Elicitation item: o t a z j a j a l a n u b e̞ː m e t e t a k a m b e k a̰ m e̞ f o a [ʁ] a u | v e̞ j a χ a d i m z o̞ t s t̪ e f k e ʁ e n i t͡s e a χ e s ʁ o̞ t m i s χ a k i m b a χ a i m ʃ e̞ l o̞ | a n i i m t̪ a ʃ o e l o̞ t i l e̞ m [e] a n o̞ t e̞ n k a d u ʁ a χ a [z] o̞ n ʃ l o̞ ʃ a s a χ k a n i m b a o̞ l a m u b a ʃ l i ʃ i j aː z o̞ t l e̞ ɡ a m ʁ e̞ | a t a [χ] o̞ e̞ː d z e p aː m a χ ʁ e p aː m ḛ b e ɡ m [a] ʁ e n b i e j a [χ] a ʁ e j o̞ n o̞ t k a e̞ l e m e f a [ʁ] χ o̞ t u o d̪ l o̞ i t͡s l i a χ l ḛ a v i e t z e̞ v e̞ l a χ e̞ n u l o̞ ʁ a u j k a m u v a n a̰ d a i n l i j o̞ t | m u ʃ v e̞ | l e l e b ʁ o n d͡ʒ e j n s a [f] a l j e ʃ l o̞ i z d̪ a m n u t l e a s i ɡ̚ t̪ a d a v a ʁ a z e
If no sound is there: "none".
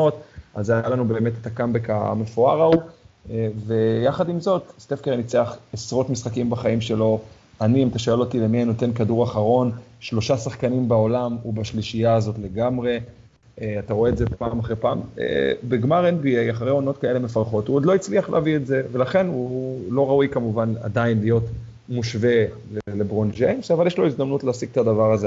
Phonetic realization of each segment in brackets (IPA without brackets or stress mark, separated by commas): ʁ, i, ʁ, ʁ, a, χ, ʁ, v